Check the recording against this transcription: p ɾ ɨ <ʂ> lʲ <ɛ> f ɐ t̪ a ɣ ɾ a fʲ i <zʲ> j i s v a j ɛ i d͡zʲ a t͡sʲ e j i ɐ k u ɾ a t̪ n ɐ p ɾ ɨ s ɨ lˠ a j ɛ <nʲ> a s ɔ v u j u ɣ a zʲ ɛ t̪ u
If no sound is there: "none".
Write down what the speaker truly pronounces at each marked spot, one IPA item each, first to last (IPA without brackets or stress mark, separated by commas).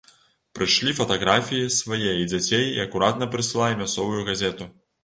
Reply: ʂ, i, none, mʲ